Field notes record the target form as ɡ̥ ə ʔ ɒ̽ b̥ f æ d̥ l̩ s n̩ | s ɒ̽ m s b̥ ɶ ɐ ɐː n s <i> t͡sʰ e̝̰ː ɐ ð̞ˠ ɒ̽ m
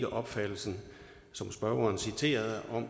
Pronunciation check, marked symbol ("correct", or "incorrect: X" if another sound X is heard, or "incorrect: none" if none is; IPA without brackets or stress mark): correct